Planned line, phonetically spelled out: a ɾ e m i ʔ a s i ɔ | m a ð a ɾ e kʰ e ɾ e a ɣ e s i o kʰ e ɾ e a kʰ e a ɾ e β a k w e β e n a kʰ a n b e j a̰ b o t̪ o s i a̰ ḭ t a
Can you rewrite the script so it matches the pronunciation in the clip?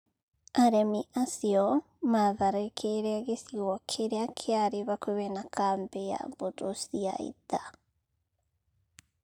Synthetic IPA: a ɾ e m i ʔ a s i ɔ | m a ð a ɾ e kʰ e ɾ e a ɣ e s i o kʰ e ɾ e a kʰ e a ɾ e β a k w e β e n a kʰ a m b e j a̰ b o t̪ o s i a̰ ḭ t a